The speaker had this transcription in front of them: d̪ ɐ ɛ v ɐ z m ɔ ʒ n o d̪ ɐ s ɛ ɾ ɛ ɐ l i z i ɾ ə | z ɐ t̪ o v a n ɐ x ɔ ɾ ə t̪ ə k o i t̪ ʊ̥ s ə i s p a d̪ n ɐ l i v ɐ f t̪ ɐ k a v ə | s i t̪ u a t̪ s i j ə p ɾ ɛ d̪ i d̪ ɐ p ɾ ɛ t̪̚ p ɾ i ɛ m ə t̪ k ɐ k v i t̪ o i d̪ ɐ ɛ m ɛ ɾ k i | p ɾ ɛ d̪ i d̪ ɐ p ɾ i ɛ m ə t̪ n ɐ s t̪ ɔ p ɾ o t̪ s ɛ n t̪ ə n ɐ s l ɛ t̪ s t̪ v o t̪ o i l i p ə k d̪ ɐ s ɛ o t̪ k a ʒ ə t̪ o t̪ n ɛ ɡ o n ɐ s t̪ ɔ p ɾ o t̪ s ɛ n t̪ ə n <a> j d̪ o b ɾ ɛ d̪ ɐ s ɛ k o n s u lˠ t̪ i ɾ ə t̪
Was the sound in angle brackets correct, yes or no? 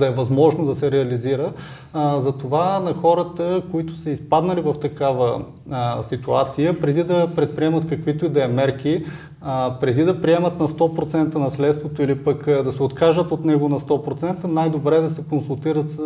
yes